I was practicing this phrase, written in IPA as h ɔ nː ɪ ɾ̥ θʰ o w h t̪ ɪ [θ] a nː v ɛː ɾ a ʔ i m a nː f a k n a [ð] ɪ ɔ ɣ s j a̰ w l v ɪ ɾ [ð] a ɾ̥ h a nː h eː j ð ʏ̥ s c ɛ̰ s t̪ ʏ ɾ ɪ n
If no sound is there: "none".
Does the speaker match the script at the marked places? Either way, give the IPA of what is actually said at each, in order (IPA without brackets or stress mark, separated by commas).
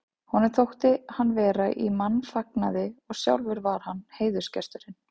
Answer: h, ð, v